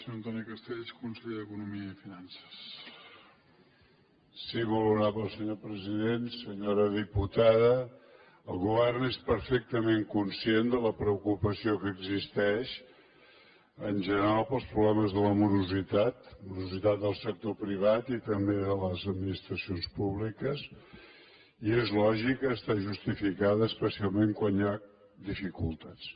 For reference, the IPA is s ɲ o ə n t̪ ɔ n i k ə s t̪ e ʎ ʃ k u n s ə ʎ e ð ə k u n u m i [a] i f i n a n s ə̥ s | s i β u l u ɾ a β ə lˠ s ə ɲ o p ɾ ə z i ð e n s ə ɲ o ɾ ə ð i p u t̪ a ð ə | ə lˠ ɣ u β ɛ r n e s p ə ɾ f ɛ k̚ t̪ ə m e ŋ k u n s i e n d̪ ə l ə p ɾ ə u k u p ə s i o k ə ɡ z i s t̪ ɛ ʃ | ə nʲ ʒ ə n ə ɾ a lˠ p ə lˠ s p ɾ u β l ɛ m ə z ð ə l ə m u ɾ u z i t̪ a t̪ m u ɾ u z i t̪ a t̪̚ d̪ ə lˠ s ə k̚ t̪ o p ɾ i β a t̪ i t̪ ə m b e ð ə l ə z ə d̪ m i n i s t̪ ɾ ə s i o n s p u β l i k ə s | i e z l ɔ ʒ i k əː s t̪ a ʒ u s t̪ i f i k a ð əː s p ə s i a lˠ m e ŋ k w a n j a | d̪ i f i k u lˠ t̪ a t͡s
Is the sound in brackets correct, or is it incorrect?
incorrect